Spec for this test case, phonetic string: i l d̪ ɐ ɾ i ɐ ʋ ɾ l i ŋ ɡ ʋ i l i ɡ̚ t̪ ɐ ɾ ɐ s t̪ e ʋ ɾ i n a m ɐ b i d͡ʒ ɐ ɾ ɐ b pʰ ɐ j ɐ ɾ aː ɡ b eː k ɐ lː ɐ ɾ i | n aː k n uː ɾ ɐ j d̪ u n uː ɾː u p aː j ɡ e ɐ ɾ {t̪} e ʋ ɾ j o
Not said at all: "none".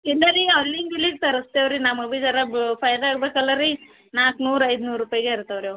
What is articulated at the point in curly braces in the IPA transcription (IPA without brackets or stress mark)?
t̪